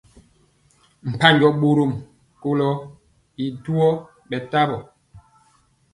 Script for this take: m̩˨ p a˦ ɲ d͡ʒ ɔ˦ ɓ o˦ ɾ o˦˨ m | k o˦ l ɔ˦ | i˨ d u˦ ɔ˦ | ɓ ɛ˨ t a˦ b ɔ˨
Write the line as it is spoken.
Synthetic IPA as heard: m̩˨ p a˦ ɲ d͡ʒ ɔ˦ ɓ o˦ ɾ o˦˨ m | k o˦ l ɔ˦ | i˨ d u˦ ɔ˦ | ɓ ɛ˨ t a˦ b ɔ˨